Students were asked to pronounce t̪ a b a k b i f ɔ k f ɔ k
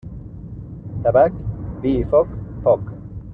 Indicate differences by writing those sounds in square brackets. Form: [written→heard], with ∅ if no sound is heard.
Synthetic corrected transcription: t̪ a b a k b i f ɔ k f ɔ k